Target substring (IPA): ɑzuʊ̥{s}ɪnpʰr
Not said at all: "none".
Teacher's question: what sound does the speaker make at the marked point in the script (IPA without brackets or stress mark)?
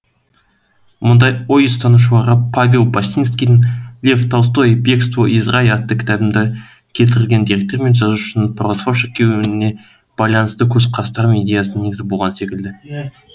ʃ